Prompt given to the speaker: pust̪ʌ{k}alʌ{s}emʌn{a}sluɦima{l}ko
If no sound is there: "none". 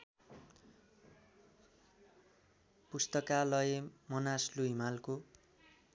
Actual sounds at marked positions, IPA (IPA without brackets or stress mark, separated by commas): k, none, a, l